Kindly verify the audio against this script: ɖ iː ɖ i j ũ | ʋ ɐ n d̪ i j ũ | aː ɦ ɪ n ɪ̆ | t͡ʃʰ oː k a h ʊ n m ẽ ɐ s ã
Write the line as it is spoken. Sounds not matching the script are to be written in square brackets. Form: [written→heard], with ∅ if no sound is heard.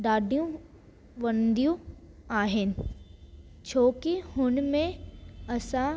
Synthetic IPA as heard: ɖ [iː→aː] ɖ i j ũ | ʋ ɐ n d̪ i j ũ | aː ɦ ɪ n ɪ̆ | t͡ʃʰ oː k [a→i] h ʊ n m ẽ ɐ s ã